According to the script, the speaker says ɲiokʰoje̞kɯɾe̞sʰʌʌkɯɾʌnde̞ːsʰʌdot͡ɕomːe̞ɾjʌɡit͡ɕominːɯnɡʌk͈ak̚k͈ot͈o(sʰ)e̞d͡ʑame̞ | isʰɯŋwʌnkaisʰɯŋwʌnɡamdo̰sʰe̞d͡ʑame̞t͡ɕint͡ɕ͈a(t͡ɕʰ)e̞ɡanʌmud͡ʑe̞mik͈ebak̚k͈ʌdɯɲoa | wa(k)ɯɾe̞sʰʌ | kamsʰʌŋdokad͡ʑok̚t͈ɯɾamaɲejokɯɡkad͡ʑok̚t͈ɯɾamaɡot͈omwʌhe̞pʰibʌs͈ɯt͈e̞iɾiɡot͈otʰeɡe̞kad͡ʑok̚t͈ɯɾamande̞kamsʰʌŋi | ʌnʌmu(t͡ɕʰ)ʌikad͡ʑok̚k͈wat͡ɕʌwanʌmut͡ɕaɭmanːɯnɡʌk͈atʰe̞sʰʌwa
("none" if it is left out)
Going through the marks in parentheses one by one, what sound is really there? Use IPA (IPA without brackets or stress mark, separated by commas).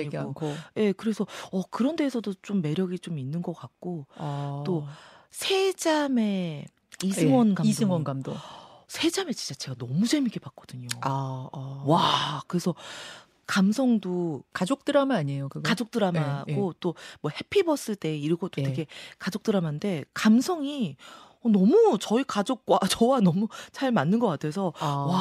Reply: sʰ, t͡ɕ, k, t͡ɕ